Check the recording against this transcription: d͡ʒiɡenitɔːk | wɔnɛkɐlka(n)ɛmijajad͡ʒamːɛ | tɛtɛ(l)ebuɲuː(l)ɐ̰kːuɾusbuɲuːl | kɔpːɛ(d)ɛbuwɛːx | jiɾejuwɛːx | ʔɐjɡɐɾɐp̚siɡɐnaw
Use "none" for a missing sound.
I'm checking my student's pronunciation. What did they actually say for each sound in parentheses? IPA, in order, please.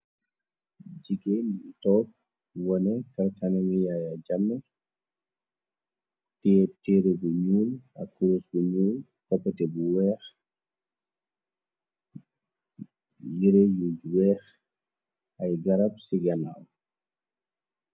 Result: n, ɾ, l, t

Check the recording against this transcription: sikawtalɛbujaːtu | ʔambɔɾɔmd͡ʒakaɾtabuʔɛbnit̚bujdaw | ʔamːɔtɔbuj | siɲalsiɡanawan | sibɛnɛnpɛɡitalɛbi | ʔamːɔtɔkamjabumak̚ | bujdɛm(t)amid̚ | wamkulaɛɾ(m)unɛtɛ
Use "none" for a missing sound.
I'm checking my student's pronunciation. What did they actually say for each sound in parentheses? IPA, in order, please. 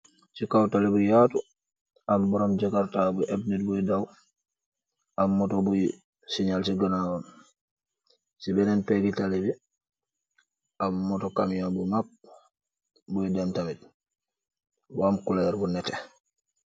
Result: t, b

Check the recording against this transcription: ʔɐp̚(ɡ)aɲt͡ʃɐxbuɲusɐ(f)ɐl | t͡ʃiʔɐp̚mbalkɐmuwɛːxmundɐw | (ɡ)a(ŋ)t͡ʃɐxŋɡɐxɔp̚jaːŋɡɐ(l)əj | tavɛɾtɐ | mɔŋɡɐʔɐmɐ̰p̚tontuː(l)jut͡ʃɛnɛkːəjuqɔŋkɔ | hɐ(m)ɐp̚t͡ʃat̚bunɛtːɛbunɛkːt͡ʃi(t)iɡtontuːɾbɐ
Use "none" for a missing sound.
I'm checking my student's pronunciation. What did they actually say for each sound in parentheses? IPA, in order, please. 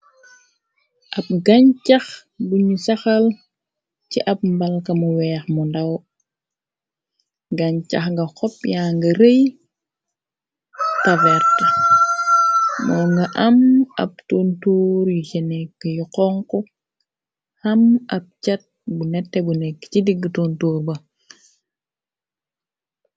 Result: ɡ, x, ɡ, ɲ, ɾ, ɾ, m, d

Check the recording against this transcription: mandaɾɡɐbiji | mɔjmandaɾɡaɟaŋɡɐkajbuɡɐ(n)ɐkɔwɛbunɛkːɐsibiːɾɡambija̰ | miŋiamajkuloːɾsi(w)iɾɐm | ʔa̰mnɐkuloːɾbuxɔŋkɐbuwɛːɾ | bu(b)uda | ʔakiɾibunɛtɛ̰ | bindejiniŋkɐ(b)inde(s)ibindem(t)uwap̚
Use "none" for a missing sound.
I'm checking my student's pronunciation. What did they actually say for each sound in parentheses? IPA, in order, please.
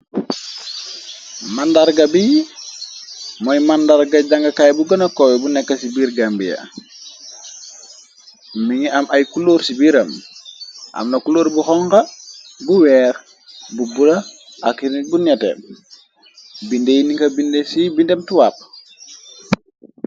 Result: n, b, b, b, s, t

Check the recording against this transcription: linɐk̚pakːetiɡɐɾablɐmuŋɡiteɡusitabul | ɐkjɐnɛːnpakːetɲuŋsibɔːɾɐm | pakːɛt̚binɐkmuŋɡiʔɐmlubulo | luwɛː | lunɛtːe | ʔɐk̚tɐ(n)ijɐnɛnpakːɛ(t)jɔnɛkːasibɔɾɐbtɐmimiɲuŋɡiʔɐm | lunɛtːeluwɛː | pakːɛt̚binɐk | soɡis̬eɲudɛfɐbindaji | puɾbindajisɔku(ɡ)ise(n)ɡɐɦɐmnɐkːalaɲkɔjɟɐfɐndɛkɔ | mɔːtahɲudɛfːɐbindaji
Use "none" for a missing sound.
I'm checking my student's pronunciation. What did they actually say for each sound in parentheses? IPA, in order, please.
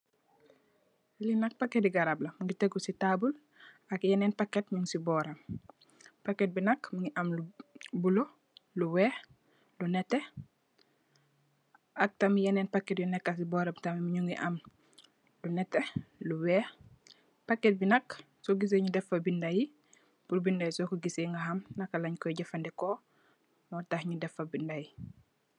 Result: m, t, ɡ, ŋ

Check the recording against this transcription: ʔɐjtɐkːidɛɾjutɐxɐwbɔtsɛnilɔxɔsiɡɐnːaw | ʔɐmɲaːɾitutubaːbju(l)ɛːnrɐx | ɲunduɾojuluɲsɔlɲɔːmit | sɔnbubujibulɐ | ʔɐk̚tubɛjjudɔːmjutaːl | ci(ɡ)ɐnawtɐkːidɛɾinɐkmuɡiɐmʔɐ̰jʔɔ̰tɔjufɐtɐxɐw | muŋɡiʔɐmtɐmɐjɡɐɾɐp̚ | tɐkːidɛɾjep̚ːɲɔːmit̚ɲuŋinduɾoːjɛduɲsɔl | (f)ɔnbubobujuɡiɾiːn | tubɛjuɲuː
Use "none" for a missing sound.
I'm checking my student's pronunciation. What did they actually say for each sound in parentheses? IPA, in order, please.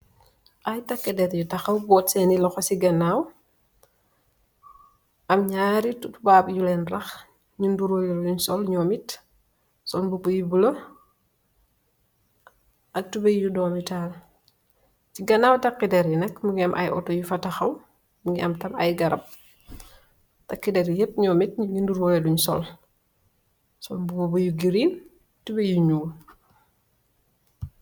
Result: l, ɡ, s

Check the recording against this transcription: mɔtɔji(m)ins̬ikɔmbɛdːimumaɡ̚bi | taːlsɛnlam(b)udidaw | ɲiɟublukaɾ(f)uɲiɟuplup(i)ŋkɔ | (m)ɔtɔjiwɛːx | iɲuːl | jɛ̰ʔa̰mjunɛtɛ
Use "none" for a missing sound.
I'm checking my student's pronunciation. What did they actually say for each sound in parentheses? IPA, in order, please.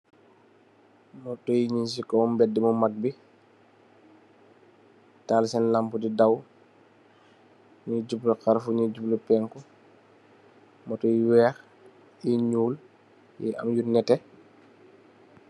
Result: ɲ, p, f, ɛ, m

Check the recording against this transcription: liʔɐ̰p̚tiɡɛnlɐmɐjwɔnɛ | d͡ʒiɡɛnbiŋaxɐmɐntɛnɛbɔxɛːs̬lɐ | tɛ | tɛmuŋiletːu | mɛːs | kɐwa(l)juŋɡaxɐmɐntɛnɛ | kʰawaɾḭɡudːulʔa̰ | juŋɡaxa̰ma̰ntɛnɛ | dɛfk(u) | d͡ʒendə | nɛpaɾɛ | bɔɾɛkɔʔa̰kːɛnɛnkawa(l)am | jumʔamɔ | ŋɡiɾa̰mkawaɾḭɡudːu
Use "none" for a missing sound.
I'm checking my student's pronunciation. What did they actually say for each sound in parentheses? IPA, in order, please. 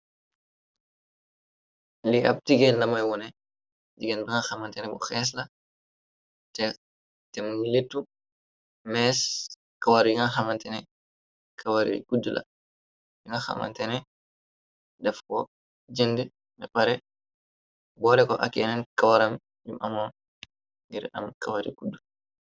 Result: ɾ, ɔ, ɾ

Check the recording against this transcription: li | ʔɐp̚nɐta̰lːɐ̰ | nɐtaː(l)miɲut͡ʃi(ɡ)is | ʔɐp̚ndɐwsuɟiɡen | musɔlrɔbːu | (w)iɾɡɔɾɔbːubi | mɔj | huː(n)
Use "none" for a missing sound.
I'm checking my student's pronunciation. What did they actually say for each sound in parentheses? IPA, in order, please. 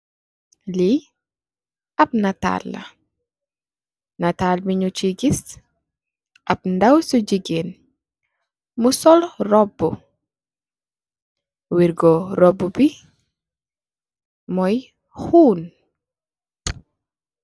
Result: l, ɡ, w, n

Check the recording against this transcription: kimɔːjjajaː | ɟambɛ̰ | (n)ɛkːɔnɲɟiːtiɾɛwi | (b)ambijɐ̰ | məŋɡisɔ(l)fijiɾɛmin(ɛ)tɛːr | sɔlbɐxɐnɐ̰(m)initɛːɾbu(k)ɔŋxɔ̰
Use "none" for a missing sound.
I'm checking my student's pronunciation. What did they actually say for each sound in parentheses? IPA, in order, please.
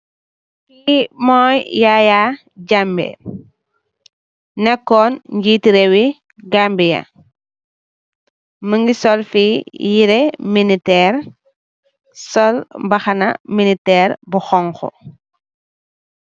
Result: n, ɡ, l, i, m, x

